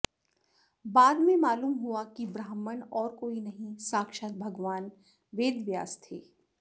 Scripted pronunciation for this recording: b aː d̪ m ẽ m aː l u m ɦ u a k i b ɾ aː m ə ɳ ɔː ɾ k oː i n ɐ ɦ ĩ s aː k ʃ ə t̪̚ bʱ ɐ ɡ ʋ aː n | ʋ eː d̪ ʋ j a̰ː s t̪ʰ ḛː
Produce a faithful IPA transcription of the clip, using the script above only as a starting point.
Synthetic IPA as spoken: b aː d̪ m ẽ m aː l uː m ɦ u a k i b ɾ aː m ə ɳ ɔː ɾ k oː i n ɐ ɦ ĩ s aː k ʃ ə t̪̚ bʱ ɐ ɡ ʋ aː n | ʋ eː d̪ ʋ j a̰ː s t̪ʰ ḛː